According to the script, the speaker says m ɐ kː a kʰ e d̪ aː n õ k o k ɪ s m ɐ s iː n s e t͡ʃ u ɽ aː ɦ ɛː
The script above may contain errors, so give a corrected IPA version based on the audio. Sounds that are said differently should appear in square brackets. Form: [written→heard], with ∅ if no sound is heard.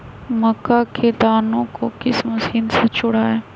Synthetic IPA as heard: m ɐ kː a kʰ e d̪ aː n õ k o k ɪ s m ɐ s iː n s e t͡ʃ [u→ʊ] ɽ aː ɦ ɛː